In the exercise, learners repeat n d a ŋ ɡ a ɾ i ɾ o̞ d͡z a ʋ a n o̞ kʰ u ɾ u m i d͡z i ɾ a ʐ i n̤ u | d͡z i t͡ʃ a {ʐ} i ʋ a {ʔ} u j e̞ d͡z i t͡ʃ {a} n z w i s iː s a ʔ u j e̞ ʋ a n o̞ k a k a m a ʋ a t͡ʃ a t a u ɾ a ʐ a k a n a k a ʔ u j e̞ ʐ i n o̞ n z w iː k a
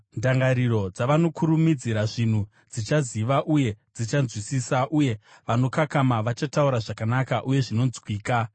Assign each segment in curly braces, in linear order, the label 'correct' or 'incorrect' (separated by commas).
incorrect, correct, correct